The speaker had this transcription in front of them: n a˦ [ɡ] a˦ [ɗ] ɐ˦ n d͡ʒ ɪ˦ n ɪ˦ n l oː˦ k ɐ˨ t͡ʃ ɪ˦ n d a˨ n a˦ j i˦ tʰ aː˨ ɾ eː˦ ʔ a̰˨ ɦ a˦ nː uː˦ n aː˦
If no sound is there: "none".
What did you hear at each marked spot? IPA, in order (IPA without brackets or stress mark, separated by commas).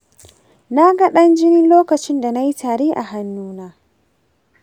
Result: ɡ, ɗ